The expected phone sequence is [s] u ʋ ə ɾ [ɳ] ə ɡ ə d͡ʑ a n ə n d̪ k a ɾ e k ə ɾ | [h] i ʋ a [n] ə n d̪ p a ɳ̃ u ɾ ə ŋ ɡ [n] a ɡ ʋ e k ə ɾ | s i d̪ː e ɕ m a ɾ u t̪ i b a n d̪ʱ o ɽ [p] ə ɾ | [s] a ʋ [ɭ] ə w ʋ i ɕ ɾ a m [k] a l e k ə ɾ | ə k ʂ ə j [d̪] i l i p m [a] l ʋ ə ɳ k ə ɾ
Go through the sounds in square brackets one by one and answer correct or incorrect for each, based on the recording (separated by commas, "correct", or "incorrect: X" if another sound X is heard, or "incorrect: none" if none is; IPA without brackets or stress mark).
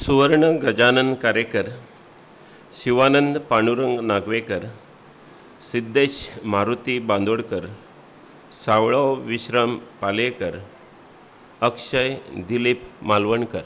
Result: correct, correct, incorrect: ɕ, correct, correct, incorrect: k, correct, correct, incorrect: p, correct, correct